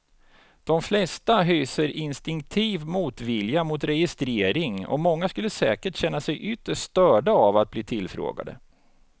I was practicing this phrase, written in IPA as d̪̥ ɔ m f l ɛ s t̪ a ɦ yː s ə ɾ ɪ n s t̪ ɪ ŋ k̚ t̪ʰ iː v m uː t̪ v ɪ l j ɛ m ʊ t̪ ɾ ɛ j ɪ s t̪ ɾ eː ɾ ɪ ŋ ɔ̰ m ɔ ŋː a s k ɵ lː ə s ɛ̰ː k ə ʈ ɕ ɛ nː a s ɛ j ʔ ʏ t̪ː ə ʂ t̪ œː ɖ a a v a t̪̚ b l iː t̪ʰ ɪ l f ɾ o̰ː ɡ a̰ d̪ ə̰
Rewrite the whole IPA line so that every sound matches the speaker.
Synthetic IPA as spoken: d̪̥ ɔ m f l ɛ s t̪ a ɦ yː s ə ɾ ɪ n s t̪ ɪ ŋ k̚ t̪ʰ iː v m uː t̪ v ɪ l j a m ʊ t̪ ɾ ɛ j ɪ s t̪ ɾ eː ɾ ɪ ŋ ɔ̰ m ɔ ŋː a s k ɵ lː ə s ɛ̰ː k ə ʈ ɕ ɛ nː a s ɛ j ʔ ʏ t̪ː ə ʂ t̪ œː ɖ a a v a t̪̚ b l iː t̪ʰ ɪ l f ɾ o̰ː ɡ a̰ d̪ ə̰